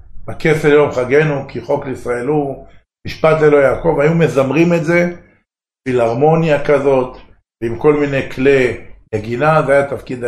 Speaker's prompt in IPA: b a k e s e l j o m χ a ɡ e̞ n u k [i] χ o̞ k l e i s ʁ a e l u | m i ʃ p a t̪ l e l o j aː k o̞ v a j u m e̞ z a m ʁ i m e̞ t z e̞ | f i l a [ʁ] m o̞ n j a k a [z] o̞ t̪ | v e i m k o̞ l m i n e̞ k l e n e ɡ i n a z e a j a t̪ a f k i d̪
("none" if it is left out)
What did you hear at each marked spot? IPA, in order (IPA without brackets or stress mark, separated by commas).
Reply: i, ʁ, z